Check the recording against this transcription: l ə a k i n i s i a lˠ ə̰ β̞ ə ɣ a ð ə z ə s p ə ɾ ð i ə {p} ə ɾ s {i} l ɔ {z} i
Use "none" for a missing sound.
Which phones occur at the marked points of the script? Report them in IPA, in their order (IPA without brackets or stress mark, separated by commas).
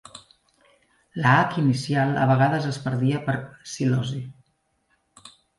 p, i, z